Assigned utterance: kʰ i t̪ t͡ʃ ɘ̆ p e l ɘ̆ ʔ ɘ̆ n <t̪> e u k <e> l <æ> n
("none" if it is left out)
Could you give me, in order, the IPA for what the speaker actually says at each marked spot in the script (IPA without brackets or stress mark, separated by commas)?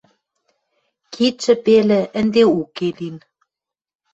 d̪, e, i